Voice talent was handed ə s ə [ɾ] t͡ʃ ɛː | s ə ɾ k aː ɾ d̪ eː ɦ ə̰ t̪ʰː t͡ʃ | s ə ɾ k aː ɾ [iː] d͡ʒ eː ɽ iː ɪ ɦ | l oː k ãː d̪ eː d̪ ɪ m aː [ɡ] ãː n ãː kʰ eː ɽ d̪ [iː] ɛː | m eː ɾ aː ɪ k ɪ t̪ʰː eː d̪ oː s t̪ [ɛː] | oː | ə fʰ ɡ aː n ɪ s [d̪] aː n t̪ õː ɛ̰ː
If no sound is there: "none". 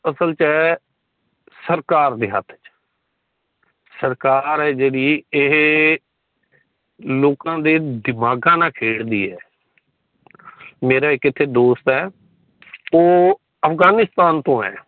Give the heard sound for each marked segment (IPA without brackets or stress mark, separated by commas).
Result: l, ɛː, ɡ, iː, ɛː, t̪